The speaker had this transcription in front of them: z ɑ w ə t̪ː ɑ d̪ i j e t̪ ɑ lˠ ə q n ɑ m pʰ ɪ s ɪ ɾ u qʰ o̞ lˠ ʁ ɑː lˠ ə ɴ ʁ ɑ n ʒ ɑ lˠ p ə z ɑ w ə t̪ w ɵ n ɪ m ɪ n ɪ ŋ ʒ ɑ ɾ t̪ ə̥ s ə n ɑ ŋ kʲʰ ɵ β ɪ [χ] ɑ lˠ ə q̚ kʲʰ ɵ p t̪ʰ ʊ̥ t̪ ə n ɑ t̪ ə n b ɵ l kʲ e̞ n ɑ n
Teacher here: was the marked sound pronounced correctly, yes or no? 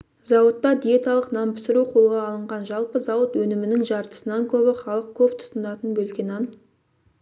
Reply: yes